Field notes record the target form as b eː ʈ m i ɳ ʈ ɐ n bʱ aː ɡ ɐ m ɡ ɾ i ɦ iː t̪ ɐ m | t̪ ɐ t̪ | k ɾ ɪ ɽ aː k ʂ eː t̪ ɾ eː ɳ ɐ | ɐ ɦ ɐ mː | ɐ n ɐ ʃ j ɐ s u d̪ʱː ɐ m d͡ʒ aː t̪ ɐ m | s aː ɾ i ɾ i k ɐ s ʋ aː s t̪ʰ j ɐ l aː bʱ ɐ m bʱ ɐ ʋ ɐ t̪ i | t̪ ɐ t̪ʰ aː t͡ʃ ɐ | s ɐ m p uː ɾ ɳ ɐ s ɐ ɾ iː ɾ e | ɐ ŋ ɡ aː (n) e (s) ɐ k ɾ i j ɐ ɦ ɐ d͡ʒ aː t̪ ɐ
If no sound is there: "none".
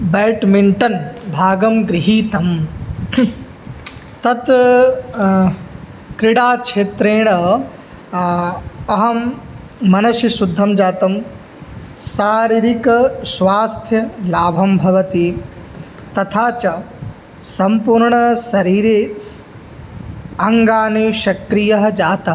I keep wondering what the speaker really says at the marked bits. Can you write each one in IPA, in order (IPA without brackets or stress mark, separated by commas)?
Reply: n, ʃ